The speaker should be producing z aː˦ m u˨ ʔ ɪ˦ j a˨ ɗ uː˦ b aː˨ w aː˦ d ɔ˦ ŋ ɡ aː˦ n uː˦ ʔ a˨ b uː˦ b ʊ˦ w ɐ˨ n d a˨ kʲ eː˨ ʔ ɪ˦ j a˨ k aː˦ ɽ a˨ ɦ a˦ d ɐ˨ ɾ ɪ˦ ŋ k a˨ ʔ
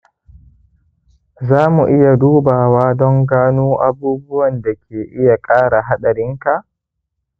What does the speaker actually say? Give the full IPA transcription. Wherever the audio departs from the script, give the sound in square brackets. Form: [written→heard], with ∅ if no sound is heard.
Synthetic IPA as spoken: z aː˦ m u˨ ʔ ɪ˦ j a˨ [ɗ→d] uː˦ b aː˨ w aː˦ d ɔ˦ ŋ ɡ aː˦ n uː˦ ʔ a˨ b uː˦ b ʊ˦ w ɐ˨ n d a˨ kʲ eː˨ ʔ ɪ˦ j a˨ [k→kʼ] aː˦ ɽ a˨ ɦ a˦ [d→ɗ] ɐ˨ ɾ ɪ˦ ŋ k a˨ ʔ